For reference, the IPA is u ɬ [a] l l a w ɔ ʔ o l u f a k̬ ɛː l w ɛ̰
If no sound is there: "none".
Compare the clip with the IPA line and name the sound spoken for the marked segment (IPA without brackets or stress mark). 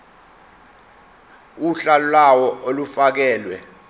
a